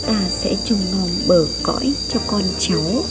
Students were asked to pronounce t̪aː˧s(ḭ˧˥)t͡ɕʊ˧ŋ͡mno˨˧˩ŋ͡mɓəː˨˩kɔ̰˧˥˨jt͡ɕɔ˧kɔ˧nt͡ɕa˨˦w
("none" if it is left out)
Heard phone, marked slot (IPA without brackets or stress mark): ɛ̰˧˥